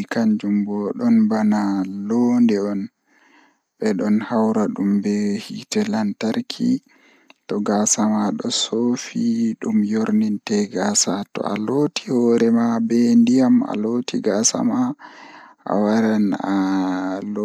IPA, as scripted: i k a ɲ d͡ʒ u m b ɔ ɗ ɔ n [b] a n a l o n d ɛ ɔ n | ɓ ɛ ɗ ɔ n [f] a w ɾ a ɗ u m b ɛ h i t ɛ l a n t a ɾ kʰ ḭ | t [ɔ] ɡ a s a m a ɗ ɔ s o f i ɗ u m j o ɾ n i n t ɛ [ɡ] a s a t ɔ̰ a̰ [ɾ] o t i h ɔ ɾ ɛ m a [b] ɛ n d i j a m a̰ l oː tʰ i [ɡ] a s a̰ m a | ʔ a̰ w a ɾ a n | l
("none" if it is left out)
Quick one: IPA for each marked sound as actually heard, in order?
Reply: b, h, ɔ, ɡ, l, b, ɡ

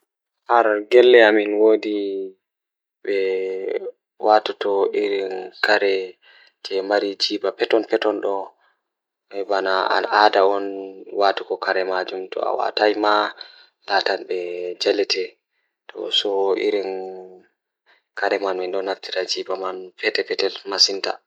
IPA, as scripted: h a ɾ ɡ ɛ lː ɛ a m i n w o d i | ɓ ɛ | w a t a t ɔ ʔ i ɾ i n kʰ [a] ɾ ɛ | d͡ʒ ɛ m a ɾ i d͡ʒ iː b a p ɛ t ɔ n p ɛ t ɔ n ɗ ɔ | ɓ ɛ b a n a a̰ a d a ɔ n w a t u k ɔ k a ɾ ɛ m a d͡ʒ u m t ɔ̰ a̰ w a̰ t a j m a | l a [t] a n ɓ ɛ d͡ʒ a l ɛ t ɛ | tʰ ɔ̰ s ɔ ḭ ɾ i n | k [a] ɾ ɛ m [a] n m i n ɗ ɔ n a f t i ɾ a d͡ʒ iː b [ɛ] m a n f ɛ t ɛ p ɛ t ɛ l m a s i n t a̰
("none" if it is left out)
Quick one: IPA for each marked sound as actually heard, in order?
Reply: a, t, a, a, a

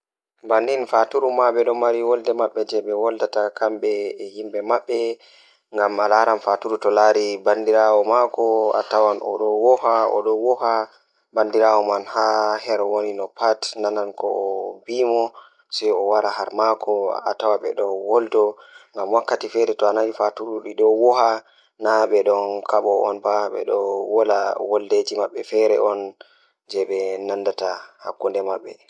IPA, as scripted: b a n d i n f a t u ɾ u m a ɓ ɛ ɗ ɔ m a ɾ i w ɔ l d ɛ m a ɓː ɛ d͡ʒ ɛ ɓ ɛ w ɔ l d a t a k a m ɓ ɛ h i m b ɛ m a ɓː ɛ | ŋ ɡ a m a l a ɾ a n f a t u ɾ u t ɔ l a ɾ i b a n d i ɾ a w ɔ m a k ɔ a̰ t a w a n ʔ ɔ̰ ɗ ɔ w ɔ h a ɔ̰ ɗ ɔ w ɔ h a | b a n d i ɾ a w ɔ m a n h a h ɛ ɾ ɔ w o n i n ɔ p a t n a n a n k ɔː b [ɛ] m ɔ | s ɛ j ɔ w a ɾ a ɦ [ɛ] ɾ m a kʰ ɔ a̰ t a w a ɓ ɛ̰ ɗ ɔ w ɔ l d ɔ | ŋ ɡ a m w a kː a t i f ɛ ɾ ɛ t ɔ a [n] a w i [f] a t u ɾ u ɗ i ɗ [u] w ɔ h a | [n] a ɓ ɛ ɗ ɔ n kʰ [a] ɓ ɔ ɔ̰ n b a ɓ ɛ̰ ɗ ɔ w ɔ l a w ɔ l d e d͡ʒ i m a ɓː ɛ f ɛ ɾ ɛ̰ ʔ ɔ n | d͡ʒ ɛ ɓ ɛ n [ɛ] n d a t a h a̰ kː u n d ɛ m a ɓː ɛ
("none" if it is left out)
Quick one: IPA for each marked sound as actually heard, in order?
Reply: i, a, n, f, ɔ, n, a, a

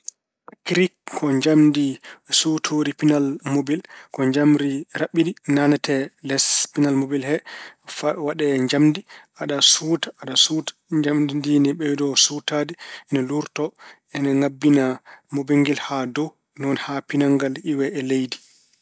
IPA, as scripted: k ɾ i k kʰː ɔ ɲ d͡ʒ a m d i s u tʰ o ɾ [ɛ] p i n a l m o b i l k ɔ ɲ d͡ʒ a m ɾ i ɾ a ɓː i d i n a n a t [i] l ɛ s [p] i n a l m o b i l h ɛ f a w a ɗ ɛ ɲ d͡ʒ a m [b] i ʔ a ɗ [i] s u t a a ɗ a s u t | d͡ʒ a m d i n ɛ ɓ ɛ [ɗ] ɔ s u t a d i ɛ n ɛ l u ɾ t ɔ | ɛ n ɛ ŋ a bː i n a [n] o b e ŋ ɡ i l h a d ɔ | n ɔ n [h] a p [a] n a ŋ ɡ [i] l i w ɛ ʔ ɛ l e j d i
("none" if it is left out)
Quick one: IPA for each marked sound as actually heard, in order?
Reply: i, ɛ, p, d, a, d, m, h, i, a

